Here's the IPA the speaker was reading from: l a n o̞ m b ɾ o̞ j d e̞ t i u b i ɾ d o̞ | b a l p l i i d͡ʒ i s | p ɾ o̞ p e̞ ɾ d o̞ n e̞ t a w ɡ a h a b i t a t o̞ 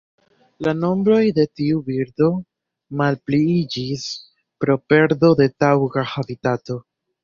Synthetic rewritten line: l a n o̞ m b ɾ o̞ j d e̞ t i u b i ɾ d o̞ | m a l p l i i d͡ʒ i s | p ɾ o̞ p e̞ ɾ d o̞ d e̞ t a w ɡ a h a b i t a t o̞